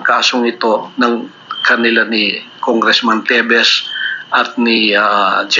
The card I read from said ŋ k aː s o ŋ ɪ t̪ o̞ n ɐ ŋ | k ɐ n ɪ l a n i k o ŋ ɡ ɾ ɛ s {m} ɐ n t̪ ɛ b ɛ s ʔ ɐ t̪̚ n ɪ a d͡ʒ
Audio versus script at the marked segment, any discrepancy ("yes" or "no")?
no